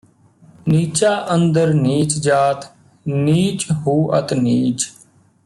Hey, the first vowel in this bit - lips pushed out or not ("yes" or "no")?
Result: no